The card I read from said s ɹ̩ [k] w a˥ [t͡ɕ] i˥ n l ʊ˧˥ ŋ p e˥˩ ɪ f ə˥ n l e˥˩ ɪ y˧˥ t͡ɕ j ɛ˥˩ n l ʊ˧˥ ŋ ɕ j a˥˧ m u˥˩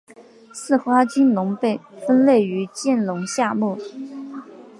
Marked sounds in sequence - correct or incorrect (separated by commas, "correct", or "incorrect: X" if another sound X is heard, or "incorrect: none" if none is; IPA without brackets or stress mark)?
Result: incorrect: x, correct